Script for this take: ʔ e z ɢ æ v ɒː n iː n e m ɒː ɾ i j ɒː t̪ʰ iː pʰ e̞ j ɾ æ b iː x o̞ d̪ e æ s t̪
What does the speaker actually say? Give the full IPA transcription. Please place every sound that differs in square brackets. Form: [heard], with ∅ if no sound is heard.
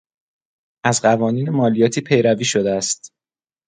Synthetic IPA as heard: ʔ [æ] z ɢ æ v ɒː n iː n e m ɒː [l] i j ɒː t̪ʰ iː pʰ e̞ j ɾ æ [v] iː [ʃ] o̞ d̪ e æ s t̪